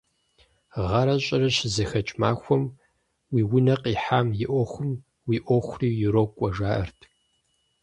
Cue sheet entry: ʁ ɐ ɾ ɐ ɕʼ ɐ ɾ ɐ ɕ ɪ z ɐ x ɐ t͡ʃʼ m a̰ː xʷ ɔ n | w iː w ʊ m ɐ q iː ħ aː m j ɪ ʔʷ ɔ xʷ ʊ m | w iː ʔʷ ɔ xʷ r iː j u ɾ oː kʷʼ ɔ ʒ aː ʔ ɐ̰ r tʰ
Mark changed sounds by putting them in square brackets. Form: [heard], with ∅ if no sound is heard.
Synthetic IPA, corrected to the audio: ʁ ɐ ɾ ɐ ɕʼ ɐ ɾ ɐ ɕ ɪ z ɐ x ɐ t͡ʃʼ m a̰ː xʷ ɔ [m] | w iː w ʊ [n] ɐ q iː ħ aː m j ɪ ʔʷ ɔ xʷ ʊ m | w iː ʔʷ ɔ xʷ r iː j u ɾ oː kʷʼ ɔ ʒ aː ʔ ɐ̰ r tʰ

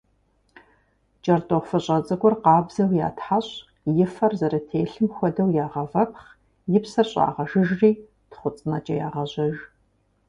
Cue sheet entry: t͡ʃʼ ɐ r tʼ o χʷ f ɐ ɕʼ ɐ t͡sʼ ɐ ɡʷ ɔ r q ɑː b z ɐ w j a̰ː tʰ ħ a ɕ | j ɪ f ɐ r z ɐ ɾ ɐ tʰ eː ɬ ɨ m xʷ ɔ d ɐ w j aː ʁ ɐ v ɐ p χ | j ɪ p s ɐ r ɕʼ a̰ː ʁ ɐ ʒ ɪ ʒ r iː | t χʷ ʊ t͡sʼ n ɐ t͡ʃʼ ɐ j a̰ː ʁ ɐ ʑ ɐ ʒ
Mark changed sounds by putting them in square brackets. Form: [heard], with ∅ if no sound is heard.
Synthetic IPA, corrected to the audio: t͡ʃʼ ɐ r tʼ o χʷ f ɐ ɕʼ ɐ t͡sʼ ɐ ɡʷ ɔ r q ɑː b z ɐ w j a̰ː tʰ ħ a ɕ | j ɪ f ɐ r z ɐ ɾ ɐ tʰ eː ɬ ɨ m xʷ ɔ d ɐ w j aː ʁ ɐ v ɐ p χ | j ɪ p s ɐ r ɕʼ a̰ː ʁ ɐ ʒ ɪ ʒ r iː | t χʷ ʊ t͡sʼ n ɐ t͡ʃʼ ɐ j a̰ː ʁ ɐ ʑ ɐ ʒ

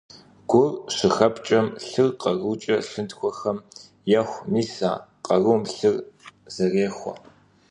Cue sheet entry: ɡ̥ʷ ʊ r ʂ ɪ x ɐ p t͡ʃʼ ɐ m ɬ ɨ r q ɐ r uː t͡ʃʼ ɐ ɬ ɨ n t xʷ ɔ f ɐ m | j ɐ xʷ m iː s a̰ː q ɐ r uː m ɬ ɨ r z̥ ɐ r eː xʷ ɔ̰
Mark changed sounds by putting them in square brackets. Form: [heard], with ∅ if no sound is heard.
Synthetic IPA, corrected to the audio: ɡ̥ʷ ʊ r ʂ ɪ x ɐ p t͡ʃʼ ɐ m ɬ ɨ r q ɐ r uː t͡ʃʼ ɐ ɬ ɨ n t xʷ ɔ [x] ɐ m | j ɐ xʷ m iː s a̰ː q ɐ r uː m ɬ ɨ r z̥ ɐ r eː xʷ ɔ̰

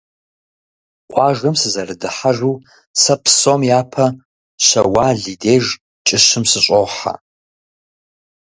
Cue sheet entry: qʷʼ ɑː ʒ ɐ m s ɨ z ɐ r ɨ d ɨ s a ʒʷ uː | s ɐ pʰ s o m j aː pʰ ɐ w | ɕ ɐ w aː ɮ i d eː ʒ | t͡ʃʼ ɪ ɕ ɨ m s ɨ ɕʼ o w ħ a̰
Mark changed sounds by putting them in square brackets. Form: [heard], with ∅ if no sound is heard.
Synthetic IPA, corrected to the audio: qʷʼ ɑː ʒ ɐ m s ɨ z ɐ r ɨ d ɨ [ħ] a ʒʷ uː | s ɐ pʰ s o m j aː pʰ ɐ [∅] | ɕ ɐ w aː ɮ i d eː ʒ | t͡ʃʼ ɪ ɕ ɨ m s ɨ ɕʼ o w ħ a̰

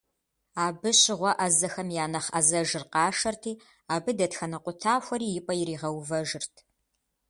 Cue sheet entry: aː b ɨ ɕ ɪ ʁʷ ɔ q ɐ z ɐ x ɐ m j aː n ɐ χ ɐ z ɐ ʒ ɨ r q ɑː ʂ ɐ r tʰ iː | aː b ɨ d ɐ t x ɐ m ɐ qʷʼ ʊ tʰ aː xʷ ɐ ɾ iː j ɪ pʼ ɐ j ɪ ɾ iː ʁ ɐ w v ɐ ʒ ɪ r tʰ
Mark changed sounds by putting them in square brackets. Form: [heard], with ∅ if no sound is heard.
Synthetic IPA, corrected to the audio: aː b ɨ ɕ ɪ ʁʷ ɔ [ʔ] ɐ z ɐ x ɐ m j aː n ɐ χ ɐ z ɐ ʒ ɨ r q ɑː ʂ ɐ r tʰ iː | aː b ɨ d ɐ t x ɐ [n] ɐ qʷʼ ʊ tʰ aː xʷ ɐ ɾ iː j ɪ pʼ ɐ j ɪ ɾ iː ʁ ɐ w v ɐ ʒ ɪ r tʰ

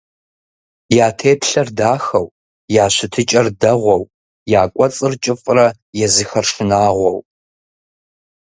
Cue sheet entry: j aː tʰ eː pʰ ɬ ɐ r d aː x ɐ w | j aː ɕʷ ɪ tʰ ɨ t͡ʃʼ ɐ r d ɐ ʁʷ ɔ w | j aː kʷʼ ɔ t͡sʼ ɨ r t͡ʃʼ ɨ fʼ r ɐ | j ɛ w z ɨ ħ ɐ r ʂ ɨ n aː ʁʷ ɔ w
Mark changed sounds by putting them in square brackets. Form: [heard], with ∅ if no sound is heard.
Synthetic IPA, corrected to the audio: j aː tʰ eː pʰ ɬ ɐ r d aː x ɐ w | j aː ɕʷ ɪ tʰ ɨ t͡ʃʼ ɐ r d ɐ ʁʷ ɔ w | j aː kʷʼ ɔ t͡sʼ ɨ r t͡ʃʼ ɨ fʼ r ɐ | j ɛ [∅] z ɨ [x] ɐ r ʂ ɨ n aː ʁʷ ɔ w

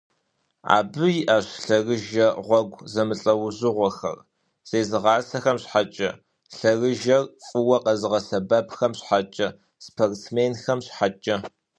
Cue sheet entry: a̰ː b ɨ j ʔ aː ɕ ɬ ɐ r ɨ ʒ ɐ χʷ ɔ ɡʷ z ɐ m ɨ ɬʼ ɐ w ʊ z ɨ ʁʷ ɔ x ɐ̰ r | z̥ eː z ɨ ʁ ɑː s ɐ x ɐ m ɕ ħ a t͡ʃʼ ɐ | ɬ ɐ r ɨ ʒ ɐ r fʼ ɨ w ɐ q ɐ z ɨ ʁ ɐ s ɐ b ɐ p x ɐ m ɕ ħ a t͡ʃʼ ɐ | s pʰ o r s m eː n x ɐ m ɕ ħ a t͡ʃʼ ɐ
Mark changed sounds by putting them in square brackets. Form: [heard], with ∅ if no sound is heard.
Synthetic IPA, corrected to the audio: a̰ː b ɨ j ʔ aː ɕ ɬ ɐ r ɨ ʒ ɐ [ʁʷ] ɔ ɡʷ z ɐ m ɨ ɬʼ ɐ w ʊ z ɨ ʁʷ ɔ x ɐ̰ r | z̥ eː z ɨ ʁ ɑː s ɐ x ɐ m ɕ ħ a t͡ʃʼ ɐ | ɬ ɐ r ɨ ʒ ɐ r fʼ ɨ w ɐ q ɐ z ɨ ʁ ɐ s ɐ b ɐ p x ɐ m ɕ ħ a t͡ʃʼ ɐ | s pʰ o r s m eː n x ɐ m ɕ ħ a t͡ʃʼ ɐ

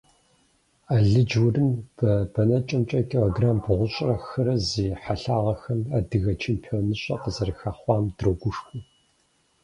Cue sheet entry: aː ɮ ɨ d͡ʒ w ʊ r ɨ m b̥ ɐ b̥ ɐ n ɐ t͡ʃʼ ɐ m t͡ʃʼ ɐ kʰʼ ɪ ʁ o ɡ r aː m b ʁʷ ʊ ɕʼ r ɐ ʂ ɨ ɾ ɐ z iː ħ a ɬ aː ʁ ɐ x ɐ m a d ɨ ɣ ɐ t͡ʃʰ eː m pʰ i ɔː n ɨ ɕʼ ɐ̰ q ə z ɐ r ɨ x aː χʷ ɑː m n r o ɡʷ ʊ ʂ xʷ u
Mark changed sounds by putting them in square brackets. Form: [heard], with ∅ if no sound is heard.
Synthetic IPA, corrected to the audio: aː ɮ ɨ d͡ʒ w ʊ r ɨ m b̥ ɐ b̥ ɐ n ɐ t͡ʃʼ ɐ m t͡ʃʼ ɐ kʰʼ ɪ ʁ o ɡ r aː m b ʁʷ ʊ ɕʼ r ɐ [x] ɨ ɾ ɐ z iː ħ a ɬ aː ʁ ɐ x ɐ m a d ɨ ɣ ɐ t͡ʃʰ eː m pʰ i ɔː n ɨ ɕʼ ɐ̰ q ə z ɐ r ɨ x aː χʷ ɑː m [d] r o ɡʷ ʊ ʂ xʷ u

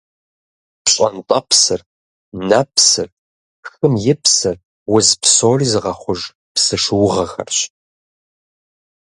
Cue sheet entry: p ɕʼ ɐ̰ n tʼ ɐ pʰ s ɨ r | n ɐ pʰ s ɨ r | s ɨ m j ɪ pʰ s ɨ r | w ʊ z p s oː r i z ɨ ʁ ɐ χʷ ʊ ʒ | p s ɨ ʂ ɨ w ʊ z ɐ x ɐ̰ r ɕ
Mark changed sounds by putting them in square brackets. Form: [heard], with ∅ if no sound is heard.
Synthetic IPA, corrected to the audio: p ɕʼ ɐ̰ n tʼ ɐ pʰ s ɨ r | n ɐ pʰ s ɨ r | [x] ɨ m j ɪ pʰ s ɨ r | w ʊ z p s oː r i z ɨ ʁ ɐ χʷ ʊ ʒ | p s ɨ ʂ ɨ w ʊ [ʁ] ɐ x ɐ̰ r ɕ

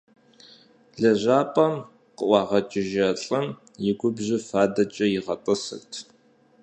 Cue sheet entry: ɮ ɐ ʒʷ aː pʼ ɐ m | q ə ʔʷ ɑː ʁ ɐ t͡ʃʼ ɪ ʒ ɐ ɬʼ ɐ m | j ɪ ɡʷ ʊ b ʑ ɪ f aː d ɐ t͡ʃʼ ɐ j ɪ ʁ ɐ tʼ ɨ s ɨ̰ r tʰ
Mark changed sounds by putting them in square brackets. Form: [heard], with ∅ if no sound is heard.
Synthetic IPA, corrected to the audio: ɮ ɐ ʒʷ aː pʼ ɐ m | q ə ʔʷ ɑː ʁ ɐ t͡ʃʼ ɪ ʒ ɐ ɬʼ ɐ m | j ɪ ɡʷ ʊ b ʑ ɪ f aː d ɐ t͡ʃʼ ɐ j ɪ ʁ ɐ tʼ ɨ s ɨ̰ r tʰ

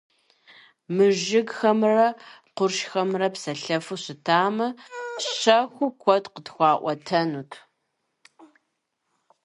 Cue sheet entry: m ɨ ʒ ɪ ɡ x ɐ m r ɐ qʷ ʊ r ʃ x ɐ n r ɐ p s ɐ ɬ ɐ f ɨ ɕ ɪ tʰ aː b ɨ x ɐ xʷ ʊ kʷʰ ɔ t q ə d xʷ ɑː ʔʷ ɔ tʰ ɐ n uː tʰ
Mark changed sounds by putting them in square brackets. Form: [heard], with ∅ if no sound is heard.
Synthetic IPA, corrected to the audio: m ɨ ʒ ɪ ɡ x ɐ m r ɐ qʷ ʊ r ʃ x ɐ [m] r ɐ p s ɐ ɬ ɐ f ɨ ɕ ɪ tʰ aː [m] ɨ [ɕ] ɐ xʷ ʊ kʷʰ ɔ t q ə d xʷ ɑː ʔʷ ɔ tʰ ɐ n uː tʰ

